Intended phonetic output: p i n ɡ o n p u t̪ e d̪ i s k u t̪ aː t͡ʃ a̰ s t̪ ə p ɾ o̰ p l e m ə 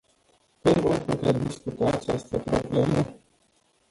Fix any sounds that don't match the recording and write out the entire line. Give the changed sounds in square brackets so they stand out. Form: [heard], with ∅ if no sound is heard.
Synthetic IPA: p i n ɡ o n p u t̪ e d̪ i s k u t̪ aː t͡ʃ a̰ s t̪ ə p ɾ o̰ [b] l e m ə